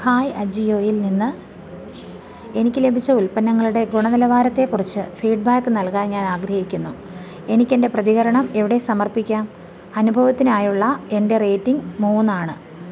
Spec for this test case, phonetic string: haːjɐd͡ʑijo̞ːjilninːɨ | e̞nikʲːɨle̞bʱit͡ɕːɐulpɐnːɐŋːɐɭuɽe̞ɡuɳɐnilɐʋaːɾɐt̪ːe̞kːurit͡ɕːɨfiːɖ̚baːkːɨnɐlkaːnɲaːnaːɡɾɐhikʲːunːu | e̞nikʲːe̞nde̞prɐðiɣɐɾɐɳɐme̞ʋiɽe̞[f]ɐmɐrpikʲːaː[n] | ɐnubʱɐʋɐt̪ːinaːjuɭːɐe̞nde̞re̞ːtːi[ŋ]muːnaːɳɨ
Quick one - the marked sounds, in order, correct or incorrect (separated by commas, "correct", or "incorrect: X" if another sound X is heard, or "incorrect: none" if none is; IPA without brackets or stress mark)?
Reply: incorrect: s, incorrect: m, correct